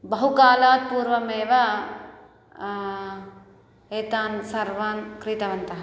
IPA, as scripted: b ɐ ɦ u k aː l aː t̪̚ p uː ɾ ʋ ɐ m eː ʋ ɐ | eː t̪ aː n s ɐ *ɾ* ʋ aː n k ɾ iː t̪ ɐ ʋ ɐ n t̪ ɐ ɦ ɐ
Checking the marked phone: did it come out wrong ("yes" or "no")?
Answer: no